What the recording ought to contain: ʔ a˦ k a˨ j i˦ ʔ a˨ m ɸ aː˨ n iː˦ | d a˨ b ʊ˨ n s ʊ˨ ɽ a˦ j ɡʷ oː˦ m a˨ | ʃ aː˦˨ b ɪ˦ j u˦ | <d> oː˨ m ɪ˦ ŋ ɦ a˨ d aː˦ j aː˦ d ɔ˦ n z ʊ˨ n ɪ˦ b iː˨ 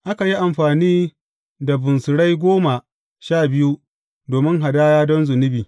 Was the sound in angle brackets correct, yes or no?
yes